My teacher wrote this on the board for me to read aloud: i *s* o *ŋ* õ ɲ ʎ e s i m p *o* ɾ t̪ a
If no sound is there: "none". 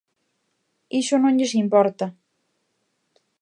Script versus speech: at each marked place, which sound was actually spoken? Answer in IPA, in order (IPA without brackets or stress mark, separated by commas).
ʃ, n, ɔ